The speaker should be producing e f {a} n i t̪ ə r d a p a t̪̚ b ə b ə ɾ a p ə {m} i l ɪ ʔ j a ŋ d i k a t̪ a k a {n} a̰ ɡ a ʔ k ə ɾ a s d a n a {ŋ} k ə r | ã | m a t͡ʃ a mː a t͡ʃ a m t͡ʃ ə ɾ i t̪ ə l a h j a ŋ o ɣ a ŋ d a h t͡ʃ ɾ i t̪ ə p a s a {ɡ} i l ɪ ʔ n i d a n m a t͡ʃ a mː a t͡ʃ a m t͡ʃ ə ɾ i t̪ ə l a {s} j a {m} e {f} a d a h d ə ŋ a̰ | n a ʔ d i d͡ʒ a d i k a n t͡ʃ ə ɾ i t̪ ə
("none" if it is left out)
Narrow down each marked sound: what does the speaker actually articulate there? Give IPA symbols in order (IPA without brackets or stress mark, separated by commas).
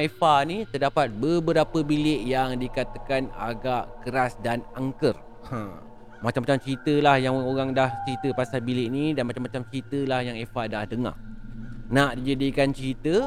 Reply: a, b, n, ŋ, b, h, ŋ, f